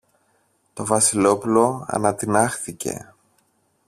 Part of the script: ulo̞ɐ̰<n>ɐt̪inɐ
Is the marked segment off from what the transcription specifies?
no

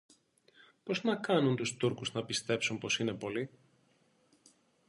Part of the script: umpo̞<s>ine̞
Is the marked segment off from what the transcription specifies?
no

